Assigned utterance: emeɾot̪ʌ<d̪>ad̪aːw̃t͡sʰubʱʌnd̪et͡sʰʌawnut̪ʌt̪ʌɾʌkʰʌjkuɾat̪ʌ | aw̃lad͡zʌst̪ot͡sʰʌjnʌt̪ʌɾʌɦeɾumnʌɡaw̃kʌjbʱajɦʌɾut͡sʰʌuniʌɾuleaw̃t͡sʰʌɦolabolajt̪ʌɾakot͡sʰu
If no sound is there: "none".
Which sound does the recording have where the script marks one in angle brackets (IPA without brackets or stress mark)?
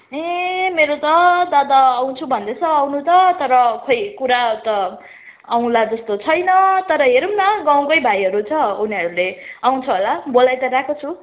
d̪